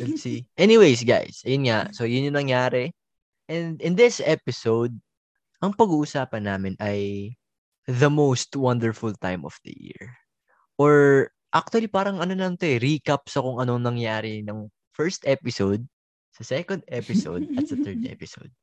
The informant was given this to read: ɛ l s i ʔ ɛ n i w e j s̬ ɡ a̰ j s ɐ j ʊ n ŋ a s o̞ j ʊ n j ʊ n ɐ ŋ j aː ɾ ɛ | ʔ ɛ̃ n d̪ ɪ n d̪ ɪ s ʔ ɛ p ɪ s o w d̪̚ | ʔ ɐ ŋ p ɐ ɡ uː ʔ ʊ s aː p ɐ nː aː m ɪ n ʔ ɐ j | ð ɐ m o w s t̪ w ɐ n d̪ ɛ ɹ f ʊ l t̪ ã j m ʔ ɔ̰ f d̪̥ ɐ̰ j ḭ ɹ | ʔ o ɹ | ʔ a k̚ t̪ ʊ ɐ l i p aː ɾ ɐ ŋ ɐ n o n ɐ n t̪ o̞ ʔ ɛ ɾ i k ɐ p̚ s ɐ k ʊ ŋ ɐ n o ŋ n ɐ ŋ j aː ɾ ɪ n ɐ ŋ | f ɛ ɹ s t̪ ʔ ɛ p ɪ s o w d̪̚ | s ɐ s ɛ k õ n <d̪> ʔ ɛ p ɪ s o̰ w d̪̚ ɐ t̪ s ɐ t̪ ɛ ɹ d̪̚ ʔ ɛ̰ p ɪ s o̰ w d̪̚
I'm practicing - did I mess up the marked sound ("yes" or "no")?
no